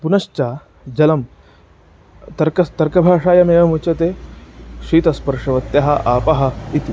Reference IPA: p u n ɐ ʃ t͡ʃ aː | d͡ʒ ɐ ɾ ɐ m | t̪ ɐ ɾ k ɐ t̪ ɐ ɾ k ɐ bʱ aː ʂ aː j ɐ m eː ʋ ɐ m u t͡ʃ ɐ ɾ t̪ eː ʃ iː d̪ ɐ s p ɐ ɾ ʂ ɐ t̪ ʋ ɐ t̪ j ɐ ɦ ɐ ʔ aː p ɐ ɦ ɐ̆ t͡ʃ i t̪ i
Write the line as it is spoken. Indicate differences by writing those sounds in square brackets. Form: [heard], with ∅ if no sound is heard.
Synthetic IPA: p u n ɐ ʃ t͡ʃ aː | d͡ʒ ɐ [l] ɐ m | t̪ ɐ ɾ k ɐ t̪ ɐ ɾ k ɐ bʱ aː ʂ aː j ɐ m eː ʋ ɐ m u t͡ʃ ɐ [∅] t̪ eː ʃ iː [t̪] ɐ s p ɐ ɾ ʂ ɐ [∅] ʋ ɐ t̪ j ɐ ɦ ɐ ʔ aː p ɐ ɦ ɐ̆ [∅] i t̪ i